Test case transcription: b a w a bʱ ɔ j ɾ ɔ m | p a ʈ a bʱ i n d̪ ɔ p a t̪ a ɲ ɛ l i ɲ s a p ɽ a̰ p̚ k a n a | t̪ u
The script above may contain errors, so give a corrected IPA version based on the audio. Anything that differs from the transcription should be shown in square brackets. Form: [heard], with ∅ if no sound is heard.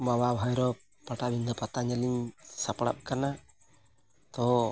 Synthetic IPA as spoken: [m] a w a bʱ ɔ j ɾ ɔ [∅] | p a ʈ a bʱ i n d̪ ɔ p a t̪ a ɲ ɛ l i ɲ s a p ɽ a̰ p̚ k a n a | t̪ [ɔ]

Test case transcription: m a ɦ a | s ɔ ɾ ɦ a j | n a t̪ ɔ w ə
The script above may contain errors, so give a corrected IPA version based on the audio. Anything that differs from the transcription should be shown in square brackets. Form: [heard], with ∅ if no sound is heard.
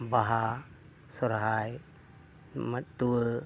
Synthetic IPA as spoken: [b] a ɦ a | s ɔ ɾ ɦ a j | [m] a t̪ [u] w ə

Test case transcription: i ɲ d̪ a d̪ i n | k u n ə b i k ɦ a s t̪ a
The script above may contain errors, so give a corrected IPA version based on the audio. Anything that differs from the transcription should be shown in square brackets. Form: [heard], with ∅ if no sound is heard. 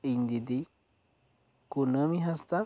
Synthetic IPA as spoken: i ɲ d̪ [i] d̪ i [∅] | k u n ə [m] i [∅] ɦ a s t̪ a

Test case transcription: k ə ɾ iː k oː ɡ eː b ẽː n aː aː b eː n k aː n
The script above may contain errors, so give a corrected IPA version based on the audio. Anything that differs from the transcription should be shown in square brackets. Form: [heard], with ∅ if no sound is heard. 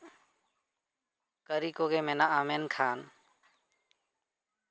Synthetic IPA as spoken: k ə ɾ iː k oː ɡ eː [m] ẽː n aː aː [m] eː n [kʰ] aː n

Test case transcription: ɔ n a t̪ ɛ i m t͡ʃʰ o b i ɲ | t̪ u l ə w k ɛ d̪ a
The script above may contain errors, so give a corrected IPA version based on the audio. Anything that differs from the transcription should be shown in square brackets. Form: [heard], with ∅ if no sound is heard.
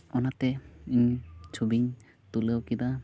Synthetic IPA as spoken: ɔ n a t̪ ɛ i [ɲ] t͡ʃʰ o b i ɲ | t̪ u l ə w k [i] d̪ a

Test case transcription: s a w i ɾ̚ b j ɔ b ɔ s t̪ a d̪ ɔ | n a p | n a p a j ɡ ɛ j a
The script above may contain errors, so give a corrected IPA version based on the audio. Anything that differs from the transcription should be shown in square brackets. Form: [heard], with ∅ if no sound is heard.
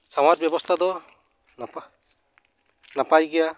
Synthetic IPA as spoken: s a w [a] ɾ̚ b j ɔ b ɔ s [t̪ʰ] a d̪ ɔ | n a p | n a p a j ɡ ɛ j a

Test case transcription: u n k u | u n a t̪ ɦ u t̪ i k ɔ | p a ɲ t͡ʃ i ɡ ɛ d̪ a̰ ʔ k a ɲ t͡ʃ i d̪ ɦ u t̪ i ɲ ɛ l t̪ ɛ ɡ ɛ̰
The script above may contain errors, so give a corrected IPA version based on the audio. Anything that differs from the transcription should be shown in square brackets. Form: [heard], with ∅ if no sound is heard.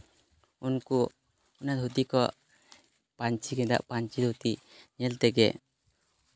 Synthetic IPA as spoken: u n k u | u n a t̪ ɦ u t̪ i k ɔ | p a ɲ t͡ʃ i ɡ ɛ d̪ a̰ ʔ [p] a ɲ t͡ʃ i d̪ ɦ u t̪ i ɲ ɛ l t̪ ɛ ɡ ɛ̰

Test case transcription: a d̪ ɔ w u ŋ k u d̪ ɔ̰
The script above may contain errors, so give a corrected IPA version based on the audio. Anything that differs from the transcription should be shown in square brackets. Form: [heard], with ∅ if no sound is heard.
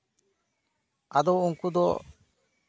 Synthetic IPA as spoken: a d̪ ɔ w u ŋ k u d̪ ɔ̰

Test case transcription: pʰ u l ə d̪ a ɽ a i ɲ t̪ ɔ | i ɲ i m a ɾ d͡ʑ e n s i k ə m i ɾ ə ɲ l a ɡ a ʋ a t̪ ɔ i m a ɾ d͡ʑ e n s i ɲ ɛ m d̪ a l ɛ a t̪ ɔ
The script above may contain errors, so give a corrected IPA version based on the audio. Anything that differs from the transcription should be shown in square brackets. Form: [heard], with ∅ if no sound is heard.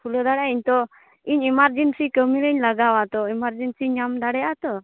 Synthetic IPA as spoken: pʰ u l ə d̪ a ɽ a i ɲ t̪ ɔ | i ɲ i m a ɾ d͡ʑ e n s i k ə m i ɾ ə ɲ l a ɡ a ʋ a t̪ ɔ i m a ɾ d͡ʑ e n s i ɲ [a] m d̪ a [ɽ] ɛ a t̪ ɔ

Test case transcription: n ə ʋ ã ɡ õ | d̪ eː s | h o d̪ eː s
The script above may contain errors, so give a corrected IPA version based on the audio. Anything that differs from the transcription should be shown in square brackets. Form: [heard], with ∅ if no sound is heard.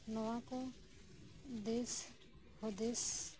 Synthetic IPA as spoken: n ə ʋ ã [k] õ | d̪ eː s | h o d̪ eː s

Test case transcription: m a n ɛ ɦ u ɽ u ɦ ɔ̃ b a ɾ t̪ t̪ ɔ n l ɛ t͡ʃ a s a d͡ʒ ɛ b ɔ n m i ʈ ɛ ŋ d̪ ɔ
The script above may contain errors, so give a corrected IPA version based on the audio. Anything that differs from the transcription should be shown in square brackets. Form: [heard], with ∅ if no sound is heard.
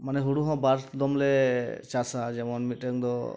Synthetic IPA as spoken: m a n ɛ ɦ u ɽ u ɦ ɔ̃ b a ɾ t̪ [d̪] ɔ [m] l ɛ t͡ʃ a s a d͡ʒ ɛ [m] ɔ n m i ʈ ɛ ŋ d̪ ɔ

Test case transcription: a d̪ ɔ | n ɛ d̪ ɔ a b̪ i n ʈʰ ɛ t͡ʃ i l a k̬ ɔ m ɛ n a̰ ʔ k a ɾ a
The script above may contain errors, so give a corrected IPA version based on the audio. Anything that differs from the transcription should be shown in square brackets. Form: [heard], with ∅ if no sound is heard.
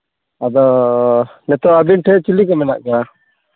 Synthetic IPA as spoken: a d̪ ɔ | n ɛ [t̪] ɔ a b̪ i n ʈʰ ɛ t͡ʃ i l [i] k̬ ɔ m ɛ n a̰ ʔ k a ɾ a

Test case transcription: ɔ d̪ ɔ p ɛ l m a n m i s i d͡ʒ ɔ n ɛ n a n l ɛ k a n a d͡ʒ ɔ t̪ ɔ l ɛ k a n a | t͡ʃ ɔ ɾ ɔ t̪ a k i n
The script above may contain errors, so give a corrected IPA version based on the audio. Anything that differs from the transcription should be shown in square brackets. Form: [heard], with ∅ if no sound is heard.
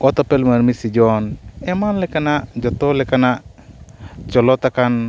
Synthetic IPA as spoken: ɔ [t̪] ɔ p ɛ l m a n m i s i d͡ʒ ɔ n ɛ [m] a n l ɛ k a n a d͡ʒ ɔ t̪ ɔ l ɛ k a n a | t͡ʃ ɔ [l] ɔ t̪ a k [a] n

